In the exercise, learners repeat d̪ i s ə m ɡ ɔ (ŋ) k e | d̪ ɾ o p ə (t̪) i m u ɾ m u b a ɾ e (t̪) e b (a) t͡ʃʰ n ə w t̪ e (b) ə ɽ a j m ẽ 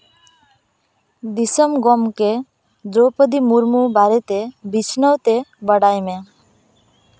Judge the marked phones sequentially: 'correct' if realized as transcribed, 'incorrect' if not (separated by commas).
incorrect, incorrect, correct, incorrect, correct